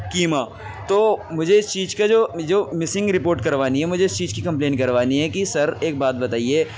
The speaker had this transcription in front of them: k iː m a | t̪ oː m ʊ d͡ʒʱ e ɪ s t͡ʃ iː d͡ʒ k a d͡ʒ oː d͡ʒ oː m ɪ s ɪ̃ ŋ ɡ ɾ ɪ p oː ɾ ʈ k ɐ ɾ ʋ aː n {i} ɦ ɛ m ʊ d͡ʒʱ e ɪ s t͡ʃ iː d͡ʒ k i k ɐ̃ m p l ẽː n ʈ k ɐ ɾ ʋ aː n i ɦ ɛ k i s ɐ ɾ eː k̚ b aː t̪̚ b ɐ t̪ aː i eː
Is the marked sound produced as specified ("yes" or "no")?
yes